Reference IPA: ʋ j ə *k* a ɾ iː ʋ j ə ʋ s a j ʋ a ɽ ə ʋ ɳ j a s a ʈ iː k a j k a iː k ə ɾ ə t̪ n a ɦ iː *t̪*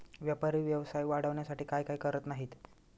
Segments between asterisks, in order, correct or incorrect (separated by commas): incorrect, correct